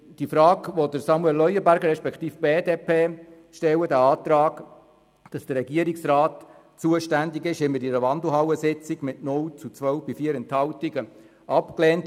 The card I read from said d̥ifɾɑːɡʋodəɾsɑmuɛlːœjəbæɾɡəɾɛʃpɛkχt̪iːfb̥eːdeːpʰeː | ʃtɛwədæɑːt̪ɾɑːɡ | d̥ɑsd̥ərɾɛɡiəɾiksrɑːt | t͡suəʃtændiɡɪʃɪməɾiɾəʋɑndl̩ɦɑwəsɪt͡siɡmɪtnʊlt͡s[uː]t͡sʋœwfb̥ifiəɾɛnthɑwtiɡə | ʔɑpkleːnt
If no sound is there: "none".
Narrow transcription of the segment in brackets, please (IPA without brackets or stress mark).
u